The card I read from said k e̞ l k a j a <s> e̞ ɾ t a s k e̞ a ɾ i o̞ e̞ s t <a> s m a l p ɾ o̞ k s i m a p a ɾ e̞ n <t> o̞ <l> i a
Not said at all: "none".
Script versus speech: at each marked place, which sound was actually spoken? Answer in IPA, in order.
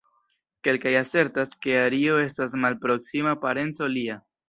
s, a, t͡s, l

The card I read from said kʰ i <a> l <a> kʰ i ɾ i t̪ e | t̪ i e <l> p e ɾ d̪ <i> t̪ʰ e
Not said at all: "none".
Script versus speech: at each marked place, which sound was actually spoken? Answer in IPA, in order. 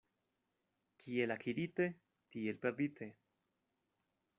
e, a, l, i

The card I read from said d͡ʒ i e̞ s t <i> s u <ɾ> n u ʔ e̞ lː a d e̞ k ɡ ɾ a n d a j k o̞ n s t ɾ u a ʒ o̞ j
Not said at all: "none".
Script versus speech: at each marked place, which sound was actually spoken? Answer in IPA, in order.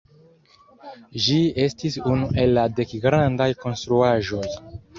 i, none

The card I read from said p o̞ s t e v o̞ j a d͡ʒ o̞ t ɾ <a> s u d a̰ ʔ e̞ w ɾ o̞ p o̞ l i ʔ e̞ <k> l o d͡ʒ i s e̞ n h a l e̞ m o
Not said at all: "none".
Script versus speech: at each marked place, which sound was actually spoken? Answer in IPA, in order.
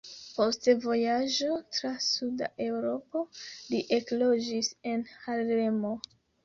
a, k

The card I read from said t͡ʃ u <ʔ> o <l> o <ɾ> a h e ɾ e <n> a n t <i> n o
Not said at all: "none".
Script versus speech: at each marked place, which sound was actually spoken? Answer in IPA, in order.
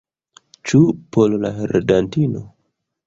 p, l, l, d, i

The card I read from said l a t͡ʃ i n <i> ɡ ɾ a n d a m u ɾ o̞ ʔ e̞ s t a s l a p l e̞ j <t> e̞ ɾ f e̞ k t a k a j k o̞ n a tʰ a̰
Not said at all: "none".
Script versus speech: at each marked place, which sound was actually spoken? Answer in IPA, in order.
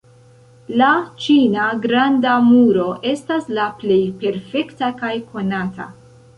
a, p

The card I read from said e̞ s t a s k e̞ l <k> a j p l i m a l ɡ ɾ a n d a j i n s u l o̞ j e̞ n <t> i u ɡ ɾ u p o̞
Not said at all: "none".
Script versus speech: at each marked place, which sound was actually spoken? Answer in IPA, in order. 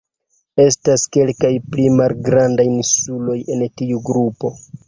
k, t

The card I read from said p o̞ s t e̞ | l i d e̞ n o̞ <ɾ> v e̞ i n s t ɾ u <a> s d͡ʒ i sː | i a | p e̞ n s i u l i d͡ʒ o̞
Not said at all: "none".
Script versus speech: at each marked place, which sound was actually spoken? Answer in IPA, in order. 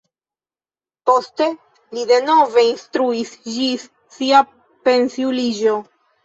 none, i

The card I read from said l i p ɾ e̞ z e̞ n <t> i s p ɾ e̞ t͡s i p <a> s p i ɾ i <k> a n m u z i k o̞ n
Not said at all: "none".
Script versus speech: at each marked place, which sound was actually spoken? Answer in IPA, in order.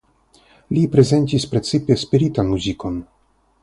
t, e, t

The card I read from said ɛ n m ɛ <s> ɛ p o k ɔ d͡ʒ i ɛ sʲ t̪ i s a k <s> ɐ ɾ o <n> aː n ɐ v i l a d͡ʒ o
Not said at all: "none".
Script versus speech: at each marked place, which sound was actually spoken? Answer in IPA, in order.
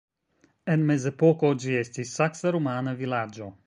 z, s, m

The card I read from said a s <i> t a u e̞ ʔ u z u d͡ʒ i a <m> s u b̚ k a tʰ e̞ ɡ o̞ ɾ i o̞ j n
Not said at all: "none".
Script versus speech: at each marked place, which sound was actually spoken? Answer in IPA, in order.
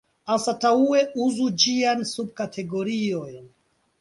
a, n

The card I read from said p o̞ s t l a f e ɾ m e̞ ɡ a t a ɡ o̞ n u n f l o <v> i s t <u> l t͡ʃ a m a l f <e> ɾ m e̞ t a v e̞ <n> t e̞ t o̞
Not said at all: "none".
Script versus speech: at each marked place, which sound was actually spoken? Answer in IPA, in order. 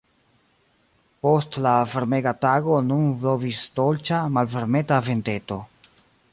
v, o, e, n

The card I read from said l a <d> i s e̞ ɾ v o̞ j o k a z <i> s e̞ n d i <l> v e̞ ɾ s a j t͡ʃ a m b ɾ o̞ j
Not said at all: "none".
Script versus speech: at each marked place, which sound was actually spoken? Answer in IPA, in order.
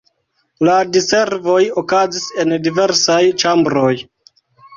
d, i, none

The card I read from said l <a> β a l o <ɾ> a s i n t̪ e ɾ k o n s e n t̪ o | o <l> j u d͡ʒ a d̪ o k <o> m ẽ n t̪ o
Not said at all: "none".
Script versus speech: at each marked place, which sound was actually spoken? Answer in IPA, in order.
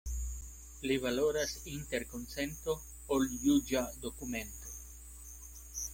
i, ɾ, l, u

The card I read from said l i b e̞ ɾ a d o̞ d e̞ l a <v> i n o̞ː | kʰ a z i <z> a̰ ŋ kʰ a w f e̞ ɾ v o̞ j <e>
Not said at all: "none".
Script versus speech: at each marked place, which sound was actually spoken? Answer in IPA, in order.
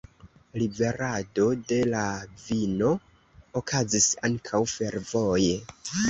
v, s, e

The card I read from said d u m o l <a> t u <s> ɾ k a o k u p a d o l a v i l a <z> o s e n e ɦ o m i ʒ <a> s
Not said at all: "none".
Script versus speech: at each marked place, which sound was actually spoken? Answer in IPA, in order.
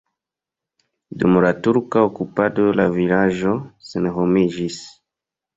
a, none, ʒ, i

